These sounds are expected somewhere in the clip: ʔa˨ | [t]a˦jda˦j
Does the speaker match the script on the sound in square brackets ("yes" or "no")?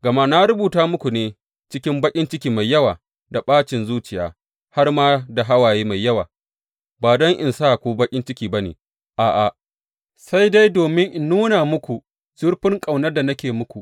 no